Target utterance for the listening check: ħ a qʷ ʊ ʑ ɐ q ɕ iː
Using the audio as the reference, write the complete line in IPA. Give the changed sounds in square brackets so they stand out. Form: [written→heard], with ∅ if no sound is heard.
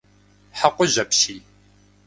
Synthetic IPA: ħ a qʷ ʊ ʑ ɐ [q→p] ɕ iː